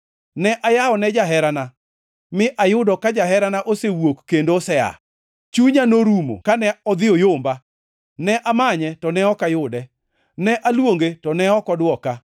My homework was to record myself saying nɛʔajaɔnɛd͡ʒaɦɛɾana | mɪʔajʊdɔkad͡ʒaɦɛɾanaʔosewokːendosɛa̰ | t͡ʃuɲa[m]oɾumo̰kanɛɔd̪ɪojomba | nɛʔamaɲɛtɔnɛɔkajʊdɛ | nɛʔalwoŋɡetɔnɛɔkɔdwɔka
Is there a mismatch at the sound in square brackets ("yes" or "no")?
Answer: yes